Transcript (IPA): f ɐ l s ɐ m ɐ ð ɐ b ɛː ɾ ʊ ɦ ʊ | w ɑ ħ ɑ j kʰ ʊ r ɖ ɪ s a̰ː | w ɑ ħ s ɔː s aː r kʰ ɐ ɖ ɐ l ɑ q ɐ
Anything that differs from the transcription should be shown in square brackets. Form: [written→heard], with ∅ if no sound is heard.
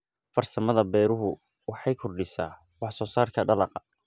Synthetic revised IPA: f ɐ [l→r] s ɐ m ɐ ð ɐ b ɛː ɾ ʊ ɦ ʊ | w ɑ ħ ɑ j kʰ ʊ r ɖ ɪ s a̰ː | w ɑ ħ s ɔː s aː r kʰ ɐ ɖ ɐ l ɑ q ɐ